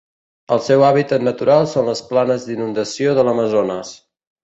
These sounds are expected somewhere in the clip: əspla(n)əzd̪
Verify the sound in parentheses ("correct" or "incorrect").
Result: correct